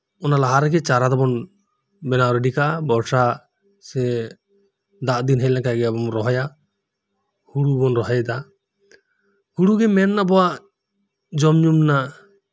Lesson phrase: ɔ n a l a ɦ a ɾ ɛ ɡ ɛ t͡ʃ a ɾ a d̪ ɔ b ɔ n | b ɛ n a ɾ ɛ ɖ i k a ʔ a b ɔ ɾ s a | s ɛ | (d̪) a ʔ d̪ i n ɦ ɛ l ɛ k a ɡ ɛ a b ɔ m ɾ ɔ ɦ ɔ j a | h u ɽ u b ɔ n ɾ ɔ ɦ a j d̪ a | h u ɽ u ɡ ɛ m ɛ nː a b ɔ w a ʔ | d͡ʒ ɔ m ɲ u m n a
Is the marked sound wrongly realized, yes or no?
no